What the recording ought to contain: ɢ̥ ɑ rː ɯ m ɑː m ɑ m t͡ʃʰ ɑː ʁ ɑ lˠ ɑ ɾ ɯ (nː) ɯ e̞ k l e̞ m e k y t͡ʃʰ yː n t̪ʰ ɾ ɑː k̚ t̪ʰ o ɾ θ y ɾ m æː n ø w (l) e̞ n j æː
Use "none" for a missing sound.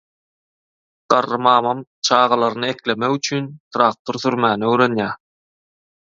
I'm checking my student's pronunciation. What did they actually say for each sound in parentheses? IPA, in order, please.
n, ɾ

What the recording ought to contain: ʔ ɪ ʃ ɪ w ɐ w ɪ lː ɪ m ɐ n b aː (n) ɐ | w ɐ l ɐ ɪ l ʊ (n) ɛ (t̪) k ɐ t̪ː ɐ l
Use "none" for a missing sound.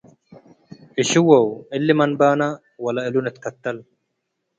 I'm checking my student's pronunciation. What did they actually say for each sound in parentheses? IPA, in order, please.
n, n, t̪

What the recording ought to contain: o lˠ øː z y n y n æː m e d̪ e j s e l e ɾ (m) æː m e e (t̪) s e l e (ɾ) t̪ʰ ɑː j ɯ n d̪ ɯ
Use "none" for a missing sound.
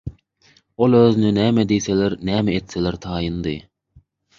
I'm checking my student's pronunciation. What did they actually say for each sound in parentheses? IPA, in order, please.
n, t̪, ɾ

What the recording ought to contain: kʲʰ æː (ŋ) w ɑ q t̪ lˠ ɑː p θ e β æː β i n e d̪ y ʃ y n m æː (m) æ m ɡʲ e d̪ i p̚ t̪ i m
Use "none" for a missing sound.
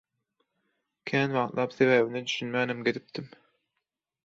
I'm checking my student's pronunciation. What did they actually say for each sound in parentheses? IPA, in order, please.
n, n

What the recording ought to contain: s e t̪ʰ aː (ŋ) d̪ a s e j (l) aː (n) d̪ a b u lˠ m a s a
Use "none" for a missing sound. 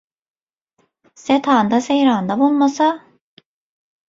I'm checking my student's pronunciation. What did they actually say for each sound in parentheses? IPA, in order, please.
n, ɾ, n

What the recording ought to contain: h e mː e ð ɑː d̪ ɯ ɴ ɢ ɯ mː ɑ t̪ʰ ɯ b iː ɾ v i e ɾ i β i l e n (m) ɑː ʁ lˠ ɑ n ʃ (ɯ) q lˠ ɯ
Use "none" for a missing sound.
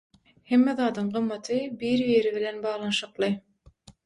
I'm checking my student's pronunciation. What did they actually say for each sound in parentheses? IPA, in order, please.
b, ɯ

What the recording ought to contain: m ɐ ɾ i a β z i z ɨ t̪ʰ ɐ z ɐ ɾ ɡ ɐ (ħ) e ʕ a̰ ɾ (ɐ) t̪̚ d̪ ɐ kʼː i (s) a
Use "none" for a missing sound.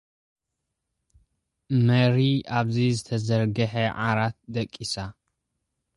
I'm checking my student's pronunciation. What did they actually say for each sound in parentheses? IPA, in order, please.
ħ, a, s

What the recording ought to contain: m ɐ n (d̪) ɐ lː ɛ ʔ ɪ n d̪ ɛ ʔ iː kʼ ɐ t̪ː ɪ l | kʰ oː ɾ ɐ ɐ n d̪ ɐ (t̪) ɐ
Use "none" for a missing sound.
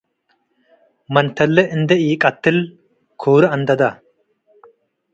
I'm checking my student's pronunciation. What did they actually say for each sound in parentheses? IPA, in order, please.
t̪, d̪

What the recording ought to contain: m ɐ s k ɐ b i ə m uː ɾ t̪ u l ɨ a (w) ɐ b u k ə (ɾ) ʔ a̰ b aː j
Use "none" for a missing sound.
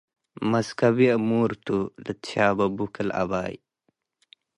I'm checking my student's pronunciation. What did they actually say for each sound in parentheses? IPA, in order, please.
b, l

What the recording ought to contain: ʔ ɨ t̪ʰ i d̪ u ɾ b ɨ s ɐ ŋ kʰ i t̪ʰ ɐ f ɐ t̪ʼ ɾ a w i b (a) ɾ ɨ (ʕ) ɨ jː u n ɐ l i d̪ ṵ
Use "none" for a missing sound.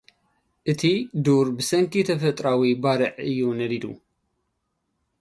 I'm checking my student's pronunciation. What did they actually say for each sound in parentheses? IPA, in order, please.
a, ʕ

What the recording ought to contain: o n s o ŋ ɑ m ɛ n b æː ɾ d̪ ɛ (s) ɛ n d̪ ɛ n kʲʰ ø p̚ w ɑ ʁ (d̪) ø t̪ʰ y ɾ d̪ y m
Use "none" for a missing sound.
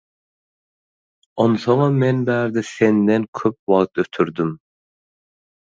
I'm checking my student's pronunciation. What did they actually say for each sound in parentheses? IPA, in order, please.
s, t̪

